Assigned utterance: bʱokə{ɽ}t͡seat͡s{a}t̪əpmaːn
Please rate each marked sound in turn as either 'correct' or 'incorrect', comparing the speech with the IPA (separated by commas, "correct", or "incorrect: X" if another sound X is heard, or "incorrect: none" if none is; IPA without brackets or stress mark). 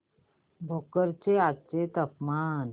incorrect: ɾ, incorrect: e